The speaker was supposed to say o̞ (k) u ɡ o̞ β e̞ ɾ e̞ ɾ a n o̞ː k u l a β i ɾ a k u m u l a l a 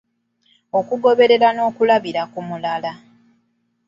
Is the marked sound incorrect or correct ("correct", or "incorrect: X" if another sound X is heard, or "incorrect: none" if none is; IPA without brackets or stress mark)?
correct